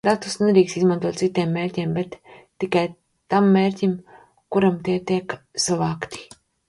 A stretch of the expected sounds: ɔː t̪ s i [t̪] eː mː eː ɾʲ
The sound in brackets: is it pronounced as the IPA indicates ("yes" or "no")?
yes